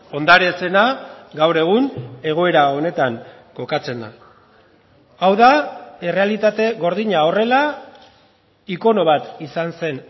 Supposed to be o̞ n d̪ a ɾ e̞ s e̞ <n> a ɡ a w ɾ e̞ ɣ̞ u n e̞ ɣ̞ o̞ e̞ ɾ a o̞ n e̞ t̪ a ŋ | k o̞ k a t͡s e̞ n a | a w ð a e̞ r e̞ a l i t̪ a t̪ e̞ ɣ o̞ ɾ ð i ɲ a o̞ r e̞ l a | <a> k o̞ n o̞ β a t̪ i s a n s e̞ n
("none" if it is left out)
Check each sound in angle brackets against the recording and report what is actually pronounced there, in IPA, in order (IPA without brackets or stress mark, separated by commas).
n, i